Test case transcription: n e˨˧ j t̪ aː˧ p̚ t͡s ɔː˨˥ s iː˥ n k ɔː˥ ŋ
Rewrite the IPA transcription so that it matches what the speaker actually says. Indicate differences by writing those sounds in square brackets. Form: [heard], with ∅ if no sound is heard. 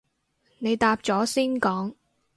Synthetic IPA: n e˨˧ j t̪ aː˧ p̚ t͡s ɔː˨˥ s iː˥ n k [ɔː˨˥] ŋ